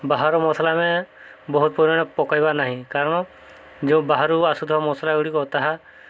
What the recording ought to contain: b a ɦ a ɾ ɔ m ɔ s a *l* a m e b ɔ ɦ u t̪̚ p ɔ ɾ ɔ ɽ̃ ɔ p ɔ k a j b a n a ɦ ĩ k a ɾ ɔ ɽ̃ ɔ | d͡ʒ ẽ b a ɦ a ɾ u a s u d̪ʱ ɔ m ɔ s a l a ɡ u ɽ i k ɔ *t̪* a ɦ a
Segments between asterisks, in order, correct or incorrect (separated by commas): correct, correct